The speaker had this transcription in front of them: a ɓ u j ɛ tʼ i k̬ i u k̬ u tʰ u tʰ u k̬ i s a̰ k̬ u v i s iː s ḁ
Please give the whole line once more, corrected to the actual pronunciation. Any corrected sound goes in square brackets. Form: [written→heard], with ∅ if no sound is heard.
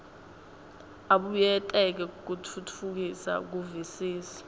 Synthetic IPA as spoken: a ɓ u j ɛ tʼ [i→ɛ] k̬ [i→ɛ] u k̬ u tʰ u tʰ u k̬ i s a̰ k̬ u v i s iː s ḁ